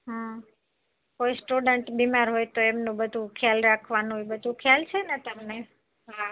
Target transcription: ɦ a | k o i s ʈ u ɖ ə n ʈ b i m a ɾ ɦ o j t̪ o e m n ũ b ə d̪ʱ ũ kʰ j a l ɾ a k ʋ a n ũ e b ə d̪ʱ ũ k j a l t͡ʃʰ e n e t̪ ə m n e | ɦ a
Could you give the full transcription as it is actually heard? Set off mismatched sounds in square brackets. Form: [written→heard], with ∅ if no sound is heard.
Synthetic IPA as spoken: ɦ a | k o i s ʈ u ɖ ə [n→ɳ] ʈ b i m a ɾ ɦ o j t̪ o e m n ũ b ə d̪ʱ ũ kʰ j a l ɾ a [k→kʰ] ʋ a n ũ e b ə d̪ʱ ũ [k→kʰ] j a l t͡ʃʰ e n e t̪ ə m n e | ɦ a